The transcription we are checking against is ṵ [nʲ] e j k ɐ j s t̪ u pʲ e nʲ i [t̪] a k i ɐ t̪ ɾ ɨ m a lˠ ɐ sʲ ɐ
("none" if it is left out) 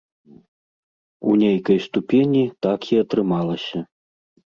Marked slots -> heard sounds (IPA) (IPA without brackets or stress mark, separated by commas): nʲ, t̪